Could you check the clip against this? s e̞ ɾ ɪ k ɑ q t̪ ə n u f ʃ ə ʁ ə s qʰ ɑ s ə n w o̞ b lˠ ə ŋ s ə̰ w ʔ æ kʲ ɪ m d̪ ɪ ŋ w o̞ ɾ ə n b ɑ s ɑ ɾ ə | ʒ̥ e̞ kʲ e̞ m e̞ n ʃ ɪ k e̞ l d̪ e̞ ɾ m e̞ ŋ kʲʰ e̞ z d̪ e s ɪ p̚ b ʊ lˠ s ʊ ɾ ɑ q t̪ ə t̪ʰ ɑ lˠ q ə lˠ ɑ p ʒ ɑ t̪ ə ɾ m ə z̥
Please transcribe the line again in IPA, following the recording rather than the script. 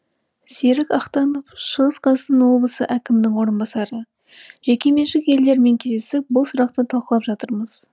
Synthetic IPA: s e̞ ɾ ɪ k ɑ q t̪ ɑ n o f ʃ ə ʁ ə s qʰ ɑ s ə n w o̞ b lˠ ə s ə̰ ʔ æ kʲ ɪ m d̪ ɪ ŋ w o̞ ɾ ə n b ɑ s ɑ ɾ ə | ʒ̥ e̞ kʲ e̞ m e̞ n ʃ ɪ k e̞ l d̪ e̞ ɾ m e̞ ŋ kʲʰ e̞ z d̪ e s ɪ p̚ b ʊ lˠ s ʊ ɾ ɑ q t̪ ə t̪ʰ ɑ lˠ q ə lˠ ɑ p ʒ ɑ t̪ ə ɾ m ə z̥